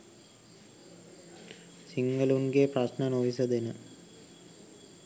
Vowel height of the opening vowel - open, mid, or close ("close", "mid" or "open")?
close